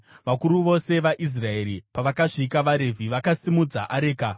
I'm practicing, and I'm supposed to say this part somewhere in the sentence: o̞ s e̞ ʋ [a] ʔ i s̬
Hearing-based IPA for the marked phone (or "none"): a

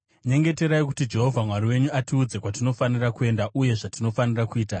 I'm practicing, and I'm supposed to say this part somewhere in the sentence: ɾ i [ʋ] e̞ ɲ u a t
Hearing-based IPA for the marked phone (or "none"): w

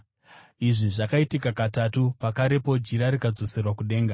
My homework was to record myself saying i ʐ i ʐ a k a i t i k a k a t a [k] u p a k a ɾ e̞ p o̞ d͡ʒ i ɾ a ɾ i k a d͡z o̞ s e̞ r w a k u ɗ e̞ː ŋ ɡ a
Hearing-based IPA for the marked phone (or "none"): t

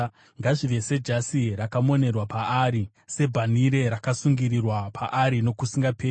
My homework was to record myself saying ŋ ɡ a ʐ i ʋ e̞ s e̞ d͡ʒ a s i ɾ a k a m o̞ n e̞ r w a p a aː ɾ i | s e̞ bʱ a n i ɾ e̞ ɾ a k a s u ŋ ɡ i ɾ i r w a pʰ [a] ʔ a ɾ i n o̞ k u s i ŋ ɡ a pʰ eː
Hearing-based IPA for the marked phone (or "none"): a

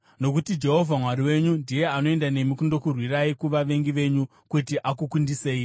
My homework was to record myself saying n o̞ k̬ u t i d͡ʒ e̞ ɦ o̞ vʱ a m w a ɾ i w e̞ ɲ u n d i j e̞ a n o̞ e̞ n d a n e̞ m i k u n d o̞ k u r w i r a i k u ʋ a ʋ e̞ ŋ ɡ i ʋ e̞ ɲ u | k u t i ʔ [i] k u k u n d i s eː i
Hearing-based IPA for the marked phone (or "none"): a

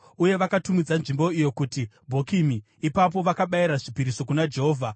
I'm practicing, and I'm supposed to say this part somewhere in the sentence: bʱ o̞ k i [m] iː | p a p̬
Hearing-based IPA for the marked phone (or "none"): m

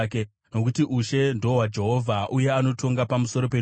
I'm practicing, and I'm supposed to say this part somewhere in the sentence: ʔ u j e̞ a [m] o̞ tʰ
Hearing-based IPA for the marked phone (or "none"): n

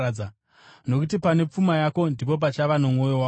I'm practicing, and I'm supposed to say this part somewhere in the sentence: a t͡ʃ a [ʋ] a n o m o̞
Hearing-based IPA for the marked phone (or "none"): ʋ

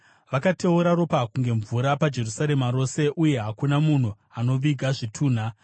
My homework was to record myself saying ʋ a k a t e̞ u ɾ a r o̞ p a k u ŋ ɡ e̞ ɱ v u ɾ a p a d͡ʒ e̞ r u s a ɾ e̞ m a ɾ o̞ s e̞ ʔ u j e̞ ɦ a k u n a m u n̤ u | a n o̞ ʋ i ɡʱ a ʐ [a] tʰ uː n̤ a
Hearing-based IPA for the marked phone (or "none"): i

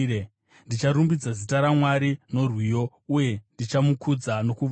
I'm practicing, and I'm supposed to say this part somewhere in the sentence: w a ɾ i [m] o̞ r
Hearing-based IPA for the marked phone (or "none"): n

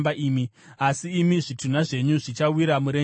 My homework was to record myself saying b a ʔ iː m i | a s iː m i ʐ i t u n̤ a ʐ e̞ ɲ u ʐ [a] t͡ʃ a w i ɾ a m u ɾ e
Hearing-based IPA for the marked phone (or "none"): i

